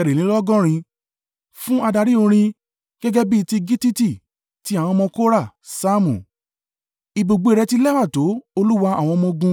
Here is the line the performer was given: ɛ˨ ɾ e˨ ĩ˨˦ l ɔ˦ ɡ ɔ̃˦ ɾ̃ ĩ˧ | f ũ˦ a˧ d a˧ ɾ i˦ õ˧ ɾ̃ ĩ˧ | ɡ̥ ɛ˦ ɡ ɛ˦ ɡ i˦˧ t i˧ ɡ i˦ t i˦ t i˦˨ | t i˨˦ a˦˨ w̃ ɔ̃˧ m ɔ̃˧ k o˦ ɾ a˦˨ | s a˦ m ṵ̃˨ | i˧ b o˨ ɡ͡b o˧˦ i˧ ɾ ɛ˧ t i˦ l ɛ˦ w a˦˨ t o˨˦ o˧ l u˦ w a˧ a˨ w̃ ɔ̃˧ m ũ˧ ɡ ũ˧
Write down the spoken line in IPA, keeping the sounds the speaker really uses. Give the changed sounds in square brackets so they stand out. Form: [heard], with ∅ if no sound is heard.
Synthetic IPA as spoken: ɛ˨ ɾ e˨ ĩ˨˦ l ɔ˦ ɡ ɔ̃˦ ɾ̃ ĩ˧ | f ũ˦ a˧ d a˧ ɾ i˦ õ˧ ɾ̃ ĩ˧ | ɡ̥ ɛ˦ ɡ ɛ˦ [b] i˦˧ t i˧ ɡ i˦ t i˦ t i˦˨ | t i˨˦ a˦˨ w̃ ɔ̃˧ m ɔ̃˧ k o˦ ɾ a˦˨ | s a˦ m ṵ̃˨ | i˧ b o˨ ɡ͡b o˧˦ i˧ ɾ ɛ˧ t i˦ l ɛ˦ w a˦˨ t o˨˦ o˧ l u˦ w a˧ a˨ w̃ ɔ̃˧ m [ɔ̃˧] ɡ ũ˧

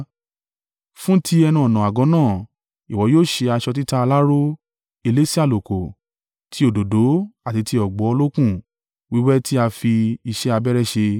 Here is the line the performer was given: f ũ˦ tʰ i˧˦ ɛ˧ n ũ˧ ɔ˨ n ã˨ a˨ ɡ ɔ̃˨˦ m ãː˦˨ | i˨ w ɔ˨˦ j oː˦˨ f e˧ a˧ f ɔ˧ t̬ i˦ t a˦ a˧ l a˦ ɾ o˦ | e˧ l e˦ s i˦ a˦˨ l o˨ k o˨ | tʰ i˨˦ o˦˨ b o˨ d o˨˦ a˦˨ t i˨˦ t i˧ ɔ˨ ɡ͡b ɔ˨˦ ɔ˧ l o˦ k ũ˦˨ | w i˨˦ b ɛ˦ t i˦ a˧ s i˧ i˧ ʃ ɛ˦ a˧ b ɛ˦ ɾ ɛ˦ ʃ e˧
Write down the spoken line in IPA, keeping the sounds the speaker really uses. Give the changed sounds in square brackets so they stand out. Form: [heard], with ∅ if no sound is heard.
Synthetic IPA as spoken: f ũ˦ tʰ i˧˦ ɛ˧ n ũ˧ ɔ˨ n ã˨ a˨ ɡ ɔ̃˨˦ [n] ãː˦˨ | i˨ w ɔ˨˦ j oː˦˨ [ʃ] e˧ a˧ [ʃ] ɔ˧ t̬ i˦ t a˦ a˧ l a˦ ɾ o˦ | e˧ l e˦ s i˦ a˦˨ l o˨ k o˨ | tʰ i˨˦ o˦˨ [d] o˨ d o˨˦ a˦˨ t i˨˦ t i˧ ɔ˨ ɡ͡b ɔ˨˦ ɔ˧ l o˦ k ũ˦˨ | w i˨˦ [w] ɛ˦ t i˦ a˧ [f] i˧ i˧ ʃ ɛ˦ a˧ b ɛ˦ ɾ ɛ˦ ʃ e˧

